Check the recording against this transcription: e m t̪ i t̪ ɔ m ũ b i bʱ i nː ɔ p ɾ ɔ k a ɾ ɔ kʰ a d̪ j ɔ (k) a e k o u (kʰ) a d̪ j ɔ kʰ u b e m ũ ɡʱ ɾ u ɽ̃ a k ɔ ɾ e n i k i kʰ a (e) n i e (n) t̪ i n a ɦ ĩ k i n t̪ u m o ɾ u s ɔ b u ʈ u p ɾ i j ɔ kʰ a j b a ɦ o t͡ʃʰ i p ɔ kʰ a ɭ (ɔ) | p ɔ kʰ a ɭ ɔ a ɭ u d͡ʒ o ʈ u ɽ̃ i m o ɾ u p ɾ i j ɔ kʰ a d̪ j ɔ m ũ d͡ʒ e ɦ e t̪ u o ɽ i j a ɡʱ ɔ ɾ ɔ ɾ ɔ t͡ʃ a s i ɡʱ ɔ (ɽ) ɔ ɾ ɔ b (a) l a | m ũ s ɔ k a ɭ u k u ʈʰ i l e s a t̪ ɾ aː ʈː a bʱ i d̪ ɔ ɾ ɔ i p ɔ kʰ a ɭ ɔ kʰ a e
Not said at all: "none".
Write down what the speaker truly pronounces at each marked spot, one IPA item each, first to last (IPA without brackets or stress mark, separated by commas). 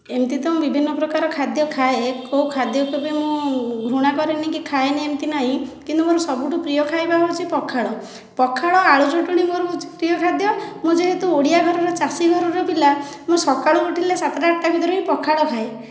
kʰ, kʰ, e, m, ɔ, ɾ, i